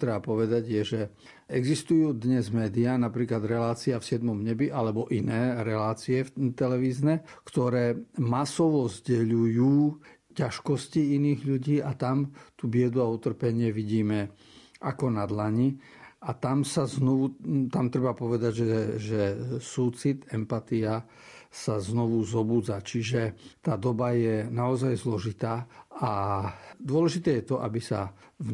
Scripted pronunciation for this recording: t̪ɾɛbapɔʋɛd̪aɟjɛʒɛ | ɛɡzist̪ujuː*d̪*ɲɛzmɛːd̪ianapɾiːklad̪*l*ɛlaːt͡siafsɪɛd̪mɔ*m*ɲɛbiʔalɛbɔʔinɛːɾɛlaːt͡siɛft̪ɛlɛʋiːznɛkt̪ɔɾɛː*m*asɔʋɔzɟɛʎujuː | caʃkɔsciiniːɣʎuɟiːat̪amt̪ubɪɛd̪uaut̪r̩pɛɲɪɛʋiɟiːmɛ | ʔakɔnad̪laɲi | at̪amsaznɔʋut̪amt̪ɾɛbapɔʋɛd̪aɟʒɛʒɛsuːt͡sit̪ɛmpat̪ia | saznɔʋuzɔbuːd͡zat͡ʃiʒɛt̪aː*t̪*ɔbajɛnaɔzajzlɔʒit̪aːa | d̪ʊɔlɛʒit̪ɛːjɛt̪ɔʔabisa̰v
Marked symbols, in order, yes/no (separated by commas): yes, no, yes, yes, no